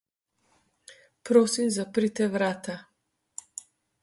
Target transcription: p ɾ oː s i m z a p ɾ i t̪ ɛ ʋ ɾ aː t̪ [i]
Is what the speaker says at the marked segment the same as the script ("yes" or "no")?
no